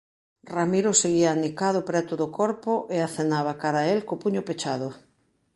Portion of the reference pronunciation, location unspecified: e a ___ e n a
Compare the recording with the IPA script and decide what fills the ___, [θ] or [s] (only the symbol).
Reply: θ